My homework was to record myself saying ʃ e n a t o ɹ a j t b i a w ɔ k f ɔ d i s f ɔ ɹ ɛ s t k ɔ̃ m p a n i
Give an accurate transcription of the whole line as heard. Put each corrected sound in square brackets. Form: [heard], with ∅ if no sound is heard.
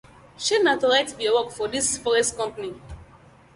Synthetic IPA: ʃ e n a t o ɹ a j t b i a w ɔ k f ɔ d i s f ɔ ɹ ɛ s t k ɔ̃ m p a n i